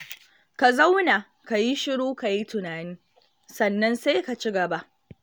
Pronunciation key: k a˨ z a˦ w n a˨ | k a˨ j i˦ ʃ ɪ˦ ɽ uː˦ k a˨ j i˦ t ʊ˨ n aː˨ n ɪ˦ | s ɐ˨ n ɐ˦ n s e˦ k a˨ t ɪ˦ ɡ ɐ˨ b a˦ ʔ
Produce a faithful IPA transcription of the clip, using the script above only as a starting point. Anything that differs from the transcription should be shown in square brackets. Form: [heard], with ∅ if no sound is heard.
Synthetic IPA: k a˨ z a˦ w n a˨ | k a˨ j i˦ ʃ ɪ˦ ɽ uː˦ k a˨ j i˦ t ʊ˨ n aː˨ n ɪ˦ | s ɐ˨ [nː] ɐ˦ n s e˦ k a˨ [t͡ʃ] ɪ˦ ɡ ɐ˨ b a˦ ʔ